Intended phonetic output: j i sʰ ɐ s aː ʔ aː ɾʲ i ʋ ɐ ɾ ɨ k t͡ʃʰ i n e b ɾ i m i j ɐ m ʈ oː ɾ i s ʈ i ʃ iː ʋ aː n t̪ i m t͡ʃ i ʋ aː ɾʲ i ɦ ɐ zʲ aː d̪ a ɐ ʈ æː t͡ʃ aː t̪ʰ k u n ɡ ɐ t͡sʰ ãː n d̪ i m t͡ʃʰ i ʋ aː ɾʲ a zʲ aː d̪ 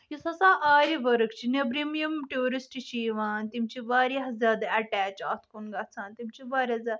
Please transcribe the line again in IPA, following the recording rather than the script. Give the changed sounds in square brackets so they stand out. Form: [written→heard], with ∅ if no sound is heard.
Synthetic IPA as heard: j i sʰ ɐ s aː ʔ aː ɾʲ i ʋ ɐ ɾ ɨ k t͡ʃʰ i n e b ɾ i m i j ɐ m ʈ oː ɾ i s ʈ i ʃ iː ʋ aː n t̪ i m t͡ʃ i ʋ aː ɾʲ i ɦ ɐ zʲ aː d̪ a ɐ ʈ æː t͡ʃ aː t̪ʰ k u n ɡ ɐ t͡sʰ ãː n [d̪→t̪] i m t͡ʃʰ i ʋ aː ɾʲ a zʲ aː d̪